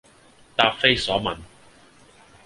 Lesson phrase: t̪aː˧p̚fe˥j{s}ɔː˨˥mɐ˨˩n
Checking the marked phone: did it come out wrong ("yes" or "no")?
no